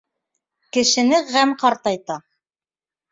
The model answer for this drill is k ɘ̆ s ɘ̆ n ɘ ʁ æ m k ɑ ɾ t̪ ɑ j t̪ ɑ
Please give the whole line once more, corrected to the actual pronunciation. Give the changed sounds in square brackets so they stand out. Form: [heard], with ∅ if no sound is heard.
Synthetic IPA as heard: k ɘ̆ [ʃ] ɘ̆ n ɘ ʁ æ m [q] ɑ ɾ t̪ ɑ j t̪ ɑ